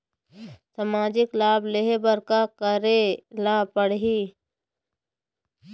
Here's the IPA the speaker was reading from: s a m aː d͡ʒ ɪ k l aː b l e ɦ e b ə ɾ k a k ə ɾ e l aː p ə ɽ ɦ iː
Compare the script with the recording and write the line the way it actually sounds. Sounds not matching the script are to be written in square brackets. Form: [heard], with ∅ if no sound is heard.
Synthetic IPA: s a m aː d͡ʒ ɪ k l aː b l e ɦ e b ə ɾ k a k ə ɾ e l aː p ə ɽ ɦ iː